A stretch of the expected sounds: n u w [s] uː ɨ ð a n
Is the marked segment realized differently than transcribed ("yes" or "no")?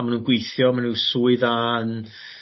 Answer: no